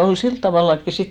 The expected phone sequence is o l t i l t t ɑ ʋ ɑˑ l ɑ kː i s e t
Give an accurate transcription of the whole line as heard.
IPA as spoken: o l s i l t t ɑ ʋ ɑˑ lː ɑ kː i s i t